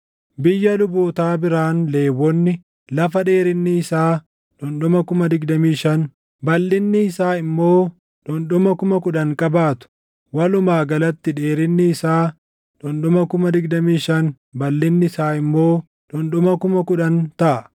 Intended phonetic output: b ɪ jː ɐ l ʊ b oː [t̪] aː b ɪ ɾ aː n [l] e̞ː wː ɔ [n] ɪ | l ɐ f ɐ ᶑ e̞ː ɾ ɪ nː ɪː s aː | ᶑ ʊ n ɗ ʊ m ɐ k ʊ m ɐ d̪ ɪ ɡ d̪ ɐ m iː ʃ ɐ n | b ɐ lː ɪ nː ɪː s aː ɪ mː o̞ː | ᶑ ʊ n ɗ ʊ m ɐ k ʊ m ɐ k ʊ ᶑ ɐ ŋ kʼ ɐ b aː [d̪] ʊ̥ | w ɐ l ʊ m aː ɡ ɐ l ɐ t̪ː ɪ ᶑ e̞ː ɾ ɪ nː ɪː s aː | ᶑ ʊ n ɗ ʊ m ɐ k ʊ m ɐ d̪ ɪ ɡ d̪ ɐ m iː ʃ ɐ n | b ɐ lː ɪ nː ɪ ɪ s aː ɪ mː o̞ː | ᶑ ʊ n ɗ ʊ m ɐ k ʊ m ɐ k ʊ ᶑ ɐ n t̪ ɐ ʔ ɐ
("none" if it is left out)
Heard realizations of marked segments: t̪, l, nː, t̪

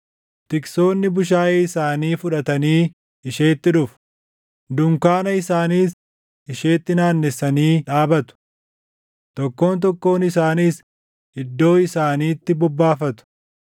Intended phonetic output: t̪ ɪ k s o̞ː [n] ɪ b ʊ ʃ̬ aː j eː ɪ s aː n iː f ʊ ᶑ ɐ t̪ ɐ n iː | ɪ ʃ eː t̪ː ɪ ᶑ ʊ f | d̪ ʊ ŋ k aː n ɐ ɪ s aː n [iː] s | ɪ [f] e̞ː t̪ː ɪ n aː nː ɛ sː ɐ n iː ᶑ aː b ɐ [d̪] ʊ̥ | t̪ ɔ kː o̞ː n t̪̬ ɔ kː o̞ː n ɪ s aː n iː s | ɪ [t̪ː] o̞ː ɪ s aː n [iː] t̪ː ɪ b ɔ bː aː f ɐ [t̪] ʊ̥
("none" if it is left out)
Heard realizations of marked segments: nː, iː, ʃ, t̪, d̪ː, iː, t̪

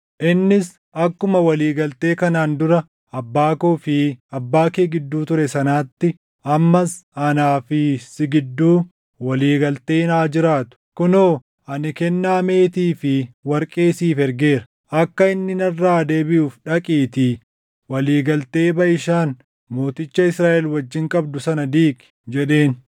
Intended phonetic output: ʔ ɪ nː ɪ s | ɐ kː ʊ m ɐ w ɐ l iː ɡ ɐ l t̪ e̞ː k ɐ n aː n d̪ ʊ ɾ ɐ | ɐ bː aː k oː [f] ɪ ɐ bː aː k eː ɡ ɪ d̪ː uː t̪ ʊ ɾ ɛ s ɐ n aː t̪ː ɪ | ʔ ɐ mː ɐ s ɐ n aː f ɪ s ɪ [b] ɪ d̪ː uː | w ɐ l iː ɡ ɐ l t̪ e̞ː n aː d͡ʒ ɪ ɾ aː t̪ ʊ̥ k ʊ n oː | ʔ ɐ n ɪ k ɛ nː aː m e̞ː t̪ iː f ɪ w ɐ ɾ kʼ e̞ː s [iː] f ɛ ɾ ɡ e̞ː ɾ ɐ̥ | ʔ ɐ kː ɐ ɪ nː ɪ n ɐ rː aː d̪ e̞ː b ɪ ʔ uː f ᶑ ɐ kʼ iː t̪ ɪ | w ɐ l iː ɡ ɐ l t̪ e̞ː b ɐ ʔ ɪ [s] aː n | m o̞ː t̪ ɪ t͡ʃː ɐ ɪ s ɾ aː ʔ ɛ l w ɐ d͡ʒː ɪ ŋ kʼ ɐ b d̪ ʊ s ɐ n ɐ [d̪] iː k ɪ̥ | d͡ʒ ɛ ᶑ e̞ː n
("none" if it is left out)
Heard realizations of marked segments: f, ɡ, iː, ʃ, d̪

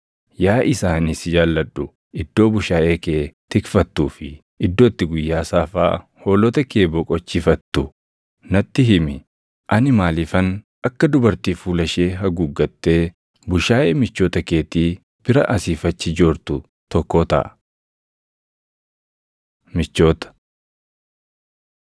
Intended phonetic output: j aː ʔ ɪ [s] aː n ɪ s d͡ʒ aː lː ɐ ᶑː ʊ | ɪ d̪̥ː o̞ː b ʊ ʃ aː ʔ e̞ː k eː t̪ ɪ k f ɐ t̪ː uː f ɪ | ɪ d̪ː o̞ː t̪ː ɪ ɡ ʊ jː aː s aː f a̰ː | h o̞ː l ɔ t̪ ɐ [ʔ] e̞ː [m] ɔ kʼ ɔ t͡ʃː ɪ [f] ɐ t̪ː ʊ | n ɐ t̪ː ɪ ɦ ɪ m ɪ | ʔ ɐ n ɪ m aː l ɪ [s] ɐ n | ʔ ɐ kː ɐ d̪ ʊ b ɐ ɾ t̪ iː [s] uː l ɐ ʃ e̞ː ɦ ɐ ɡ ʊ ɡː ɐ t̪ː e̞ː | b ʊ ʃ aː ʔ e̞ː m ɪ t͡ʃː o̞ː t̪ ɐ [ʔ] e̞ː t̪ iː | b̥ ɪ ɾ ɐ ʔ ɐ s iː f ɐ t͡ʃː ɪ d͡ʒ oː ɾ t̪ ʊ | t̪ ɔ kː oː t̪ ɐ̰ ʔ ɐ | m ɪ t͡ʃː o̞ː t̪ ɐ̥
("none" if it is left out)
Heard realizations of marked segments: s, k, b, f, f, f, k

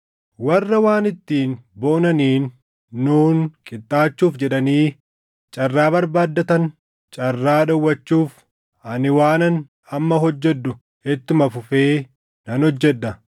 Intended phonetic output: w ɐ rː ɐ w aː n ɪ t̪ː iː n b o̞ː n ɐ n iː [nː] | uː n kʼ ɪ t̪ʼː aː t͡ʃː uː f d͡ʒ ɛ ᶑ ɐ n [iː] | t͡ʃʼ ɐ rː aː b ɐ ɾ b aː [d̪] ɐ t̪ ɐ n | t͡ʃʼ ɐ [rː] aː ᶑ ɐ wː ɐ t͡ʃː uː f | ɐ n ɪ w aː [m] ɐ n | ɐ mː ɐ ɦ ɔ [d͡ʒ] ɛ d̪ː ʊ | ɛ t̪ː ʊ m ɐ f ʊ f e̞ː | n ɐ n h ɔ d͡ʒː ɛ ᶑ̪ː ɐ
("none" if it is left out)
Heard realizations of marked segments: nː, iː, d̪ː, rː, n, d͡ʒː

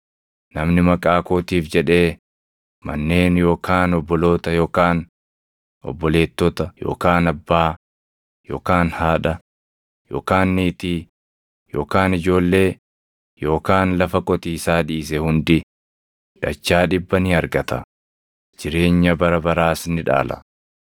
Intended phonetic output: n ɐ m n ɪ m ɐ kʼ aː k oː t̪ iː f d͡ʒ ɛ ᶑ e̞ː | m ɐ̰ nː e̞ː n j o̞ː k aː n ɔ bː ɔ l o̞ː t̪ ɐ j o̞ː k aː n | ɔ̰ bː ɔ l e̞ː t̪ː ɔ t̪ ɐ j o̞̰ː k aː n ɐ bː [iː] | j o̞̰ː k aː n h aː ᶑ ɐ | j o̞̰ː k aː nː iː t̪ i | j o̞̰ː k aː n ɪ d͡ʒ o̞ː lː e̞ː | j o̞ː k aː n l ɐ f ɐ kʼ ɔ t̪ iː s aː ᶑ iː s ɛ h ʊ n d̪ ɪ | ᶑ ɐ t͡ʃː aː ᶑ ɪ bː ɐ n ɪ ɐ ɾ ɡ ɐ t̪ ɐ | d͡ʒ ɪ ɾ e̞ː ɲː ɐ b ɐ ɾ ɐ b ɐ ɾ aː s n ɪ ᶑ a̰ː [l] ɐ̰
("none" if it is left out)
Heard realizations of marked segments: aː, l

